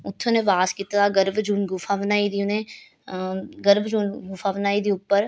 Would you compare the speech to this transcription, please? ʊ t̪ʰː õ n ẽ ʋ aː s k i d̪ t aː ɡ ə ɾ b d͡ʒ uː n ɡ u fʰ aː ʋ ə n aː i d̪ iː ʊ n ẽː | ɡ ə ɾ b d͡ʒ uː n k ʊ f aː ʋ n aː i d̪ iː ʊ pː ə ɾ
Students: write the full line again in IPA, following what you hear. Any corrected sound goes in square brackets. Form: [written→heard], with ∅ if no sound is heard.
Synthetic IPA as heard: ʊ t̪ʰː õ n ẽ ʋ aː s k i [d̪→t̪] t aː ɡ ə ɾ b d͡ʒ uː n ɡ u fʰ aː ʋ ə n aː i d̪ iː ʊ n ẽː | ɡ ə ɾ b d͡ʒ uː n [k→ɡ] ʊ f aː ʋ n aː i d̪ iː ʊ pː ə ɾ

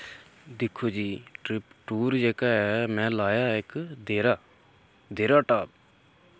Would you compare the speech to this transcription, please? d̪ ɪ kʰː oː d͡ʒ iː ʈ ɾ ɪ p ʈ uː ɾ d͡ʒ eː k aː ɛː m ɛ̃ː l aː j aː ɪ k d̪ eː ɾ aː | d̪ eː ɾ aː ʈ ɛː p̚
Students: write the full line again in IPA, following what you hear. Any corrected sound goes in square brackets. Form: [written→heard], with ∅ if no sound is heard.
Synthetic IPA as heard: d̪ ɪ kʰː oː d͡ʒ iː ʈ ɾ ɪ p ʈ uː ɾ d͡ʒ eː k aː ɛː m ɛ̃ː l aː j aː ɪ k d̪ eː ɾ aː | d̪ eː ɾ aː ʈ [ɛː→aː] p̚

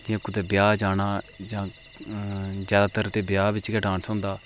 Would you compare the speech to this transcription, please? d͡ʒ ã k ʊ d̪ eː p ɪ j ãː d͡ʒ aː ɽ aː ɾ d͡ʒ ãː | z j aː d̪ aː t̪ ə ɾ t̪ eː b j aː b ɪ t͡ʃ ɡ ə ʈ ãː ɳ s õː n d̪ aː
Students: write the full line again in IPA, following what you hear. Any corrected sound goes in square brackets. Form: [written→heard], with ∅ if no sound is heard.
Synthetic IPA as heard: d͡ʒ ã k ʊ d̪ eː [p→b] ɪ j [ãː→aː] d͡ʒ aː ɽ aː [ɾ→∅] d͡ʒ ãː | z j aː d̪ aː t̪ ə ɾ t̪ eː b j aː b ɪ t͡ʃ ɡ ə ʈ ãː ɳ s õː n d̪ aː

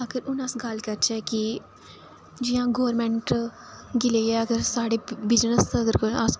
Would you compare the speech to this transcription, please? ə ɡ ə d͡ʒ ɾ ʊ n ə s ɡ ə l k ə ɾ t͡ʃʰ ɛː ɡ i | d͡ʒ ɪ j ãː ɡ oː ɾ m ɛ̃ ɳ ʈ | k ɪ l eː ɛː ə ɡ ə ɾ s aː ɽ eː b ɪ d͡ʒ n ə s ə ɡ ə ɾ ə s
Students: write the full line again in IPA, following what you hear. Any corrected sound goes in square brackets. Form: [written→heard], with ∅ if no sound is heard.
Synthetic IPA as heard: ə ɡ ə [d͡ʒ→∅] ɾ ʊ n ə s ɡ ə l k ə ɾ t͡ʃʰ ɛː [ɡ→k] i | d͡ʒ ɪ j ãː ɡ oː ɾ m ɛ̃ ɳ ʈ | [k→ɡ] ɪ l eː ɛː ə ɡ ə ɾ s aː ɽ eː b ɪ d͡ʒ n ə s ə ɡ ə ɾ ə s

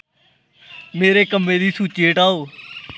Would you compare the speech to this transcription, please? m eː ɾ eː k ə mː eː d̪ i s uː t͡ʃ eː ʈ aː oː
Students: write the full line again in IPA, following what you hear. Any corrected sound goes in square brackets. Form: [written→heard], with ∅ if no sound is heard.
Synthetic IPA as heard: m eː ɾ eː k ə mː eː d̪ [i→iː] s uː t͡ʃ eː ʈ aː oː

